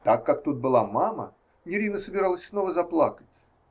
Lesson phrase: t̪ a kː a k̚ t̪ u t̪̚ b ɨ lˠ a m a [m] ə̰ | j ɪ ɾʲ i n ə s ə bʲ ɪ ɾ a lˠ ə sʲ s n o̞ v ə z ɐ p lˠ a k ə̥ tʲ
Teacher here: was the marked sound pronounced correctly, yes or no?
yes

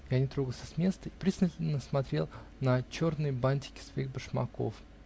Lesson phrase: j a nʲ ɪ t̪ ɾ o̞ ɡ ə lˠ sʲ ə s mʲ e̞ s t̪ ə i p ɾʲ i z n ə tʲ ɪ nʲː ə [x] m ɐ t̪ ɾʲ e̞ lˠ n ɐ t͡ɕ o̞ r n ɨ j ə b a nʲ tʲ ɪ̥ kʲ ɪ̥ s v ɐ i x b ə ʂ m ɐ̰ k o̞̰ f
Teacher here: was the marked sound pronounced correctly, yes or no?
no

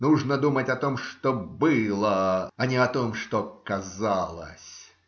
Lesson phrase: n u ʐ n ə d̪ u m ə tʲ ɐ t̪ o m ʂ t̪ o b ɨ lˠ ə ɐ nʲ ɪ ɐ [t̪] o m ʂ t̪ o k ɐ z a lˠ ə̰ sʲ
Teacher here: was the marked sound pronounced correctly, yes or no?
yes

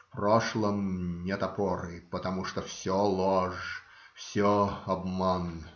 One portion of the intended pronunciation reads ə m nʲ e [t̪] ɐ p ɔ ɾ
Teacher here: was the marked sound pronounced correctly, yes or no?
yes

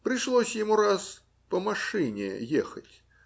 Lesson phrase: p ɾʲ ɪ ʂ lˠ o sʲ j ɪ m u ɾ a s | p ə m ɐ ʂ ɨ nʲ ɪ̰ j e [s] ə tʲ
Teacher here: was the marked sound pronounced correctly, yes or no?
no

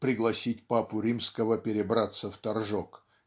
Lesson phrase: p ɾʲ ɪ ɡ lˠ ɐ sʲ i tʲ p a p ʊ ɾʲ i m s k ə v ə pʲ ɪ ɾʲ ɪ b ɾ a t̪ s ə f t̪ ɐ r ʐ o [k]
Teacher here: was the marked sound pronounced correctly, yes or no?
yes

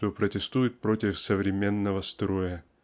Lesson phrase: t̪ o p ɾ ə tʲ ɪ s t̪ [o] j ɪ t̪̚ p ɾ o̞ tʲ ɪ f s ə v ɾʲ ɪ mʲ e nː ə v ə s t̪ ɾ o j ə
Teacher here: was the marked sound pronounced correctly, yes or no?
no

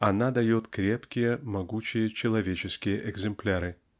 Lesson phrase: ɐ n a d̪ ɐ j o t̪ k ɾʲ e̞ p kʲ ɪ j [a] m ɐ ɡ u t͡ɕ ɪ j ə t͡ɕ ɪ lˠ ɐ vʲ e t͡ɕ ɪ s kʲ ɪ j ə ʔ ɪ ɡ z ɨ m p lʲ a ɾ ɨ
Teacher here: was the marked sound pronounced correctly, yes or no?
no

